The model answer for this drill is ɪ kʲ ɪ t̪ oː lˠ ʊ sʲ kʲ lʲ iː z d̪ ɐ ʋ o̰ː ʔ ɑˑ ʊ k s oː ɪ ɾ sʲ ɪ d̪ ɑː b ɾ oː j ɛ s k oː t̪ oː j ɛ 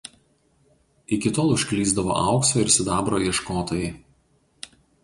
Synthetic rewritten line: ɪ kʲ ɪ t̪ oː lˠ ʊ ʃʲ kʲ lʲ iː z d̪ ɐ ʋ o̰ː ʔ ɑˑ ʊ k s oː ɪ ɾ sʲ ɪ d̪ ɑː b ɾ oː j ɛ ʃ k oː t̪ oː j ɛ